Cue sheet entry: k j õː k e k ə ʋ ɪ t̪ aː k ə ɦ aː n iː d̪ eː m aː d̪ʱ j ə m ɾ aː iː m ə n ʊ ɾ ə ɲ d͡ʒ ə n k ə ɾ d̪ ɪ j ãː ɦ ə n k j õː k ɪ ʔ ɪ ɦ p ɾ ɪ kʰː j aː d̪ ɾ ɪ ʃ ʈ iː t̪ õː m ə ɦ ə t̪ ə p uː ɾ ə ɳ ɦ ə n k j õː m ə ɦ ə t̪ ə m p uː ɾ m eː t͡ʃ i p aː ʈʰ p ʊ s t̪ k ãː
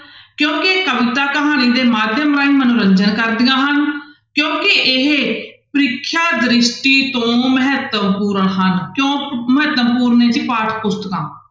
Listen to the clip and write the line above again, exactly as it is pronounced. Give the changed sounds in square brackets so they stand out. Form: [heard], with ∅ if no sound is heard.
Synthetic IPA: k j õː k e k ə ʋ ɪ t̪ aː k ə ɦ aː n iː d̪ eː m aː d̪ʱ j ə m ɾ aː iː m ə n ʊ ɾ ə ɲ d͡ʒ ə n k ə ɾ d̪ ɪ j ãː ɦ ə n k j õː k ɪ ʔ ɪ ɦ p ɾ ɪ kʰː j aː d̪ ɾ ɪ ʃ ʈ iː t̪ õː m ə ɦ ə t̪ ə p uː ɾ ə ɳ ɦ ə n k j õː m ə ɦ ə t̪ ə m p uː ɾ [n] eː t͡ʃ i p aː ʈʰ p ʊ s t̪ k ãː